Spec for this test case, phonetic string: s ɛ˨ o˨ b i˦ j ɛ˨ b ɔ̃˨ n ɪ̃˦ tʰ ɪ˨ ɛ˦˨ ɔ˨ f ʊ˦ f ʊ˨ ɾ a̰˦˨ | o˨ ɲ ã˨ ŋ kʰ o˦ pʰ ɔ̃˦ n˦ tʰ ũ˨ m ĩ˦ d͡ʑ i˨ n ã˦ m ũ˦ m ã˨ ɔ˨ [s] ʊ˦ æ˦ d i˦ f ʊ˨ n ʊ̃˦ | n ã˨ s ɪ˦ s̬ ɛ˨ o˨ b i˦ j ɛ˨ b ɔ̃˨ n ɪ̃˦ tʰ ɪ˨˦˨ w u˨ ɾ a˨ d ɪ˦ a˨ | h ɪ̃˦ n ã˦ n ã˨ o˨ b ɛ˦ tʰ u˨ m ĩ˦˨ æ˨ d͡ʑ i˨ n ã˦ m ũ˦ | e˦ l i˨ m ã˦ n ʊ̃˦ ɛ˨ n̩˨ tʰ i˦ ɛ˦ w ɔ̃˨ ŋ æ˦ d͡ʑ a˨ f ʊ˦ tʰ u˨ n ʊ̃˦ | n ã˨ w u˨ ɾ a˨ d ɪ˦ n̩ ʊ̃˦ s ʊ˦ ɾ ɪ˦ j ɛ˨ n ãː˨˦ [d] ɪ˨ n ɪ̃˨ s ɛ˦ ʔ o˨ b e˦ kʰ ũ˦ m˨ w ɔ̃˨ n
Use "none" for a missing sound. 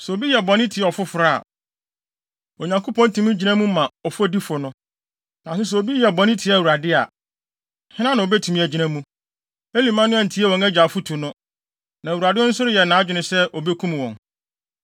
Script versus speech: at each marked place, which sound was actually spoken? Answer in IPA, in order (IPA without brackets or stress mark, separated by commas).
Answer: f, d͡ʑᶣ